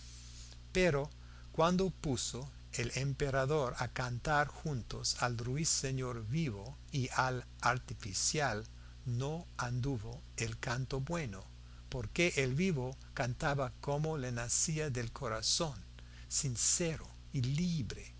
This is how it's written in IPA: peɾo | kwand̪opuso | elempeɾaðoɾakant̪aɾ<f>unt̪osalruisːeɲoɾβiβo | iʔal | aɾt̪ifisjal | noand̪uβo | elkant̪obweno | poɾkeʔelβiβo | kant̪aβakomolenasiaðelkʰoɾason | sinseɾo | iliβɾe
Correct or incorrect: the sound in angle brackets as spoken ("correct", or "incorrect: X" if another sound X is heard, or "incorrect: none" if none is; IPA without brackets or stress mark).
incorrect: x